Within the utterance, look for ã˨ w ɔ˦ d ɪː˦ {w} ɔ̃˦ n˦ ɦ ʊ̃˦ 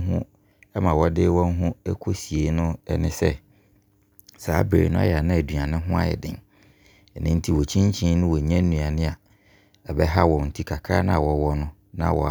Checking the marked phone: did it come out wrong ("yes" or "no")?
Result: no